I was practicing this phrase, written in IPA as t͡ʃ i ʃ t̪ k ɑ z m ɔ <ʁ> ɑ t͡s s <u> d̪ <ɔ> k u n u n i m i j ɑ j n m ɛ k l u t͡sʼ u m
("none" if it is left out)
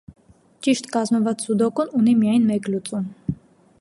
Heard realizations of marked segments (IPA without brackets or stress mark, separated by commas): v, u, ɔ